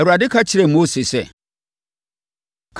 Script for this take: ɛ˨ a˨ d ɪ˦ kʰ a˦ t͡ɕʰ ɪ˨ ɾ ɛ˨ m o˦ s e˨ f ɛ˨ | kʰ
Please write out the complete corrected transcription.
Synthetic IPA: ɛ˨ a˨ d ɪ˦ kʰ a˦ t͡ɕʰ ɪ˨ ɾ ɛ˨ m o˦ s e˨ s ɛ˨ | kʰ